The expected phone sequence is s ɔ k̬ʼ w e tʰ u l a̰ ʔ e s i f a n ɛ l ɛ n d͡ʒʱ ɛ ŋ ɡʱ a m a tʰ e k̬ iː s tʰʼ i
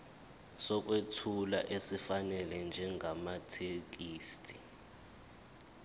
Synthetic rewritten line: s ɔ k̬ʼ w e tʰ u l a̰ ʔ e s i f a n ɛ l ɛ n d͡ʒʱ ɛ ŋ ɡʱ a m a tʰ e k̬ iː s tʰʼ i